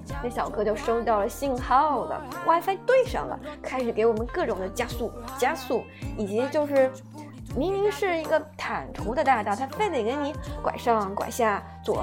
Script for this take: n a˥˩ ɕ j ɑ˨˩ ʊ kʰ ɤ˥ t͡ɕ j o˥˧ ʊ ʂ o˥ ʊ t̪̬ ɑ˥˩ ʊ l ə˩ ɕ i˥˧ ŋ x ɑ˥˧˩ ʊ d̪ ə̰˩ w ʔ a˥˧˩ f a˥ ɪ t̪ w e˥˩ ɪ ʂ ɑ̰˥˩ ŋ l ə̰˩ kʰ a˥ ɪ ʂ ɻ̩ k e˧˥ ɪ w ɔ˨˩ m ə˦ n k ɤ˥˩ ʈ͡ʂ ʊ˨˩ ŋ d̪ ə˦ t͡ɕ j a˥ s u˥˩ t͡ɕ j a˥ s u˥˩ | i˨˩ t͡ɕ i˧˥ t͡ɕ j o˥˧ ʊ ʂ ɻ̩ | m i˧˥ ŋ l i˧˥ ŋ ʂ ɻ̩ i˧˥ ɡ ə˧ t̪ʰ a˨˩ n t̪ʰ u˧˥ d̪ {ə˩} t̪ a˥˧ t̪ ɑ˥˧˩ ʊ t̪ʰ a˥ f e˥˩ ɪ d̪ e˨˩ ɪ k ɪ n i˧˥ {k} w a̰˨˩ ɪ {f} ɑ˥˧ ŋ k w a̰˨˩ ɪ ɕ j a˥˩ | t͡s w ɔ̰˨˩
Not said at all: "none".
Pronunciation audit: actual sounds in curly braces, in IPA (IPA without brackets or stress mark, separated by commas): ə˧, k, ʂ